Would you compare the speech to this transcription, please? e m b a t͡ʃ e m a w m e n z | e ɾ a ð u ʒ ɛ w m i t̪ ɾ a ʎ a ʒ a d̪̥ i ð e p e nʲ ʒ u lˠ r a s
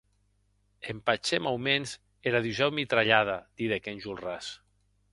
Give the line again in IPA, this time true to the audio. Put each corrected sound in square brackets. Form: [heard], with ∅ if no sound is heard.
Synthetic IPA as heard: e m [p] a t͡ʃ e m a w m e n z | e ɾ a ð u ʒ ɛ w m i t̪ ɾ a ʎ a [ð] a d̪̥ i ð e [k] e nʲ ʒ u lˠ r a s